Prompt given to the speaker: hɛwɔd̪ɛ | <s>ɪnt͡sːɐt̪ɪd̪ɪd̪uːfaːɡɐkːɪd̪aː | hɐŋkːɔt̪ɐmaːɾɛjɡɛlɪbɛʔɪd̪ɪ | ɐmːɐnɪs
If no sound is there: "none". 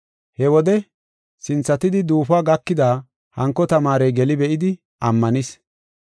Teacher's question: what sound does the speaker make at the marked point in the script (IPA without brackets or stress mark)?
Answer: s